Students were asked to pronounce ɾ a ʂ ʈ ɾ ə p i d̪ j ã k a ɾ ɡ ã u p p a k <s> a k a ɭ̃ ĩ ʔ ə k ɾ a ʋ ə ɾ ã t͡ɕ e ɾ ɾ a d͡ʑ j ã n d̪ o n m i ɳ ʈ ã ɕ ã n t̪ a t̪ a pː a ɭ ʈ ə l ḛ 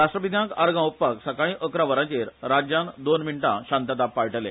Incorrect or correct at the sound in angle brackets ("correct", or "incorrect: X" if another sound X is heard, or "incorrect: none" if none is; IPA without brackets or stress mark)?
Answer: correct